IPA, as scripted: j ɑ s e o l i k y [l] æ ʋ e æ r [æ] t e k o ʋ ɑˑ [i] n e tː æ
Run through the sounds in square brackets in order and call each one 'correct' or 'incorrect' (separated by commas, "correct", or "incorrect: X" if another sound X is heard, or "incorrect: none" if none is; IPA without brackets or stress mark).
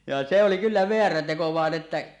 incorrect: lː, correct, incorrect: e